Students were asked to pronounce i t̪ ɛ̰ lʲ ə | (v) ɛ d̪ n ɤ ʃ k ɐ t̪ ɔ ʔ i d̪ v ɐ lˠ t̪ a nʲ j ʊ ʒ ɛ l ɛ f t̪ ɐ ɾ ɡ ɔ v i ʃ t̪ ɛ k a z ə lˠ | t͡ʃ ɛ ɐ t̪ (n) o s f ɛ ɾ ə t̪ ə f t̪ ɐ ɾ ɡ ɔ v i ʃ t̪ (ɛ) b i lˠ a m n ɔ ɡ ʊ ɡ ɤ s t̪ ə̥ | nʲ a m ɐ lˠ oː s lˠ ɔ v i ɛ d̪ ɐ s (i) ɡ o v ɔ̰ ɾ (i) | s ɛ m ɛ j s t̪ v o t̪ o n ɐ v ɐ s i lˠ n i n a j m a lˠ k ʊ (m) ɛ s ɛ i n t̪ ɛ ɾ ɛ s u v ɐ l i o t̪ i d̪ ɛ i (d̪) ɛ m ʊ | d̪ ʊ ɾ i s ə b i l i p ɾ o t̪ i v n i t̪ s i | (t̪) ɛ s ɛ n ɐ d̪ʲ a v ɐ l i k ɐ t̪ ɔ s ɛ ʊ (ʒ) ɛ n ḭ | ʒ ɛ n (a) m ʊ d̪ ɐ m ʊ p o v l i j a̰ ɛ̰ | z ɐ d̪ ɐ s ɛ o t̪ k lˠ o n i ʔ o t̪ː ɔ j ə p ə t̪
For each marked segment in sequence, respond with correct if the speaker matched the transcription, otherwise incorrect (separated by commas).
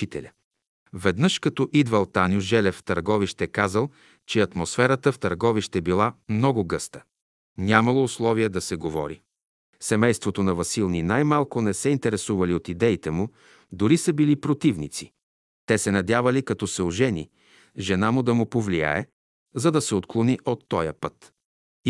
correct, incorrect, correct, incorrect, correct, incorrect, incorrect, correct, correct, correct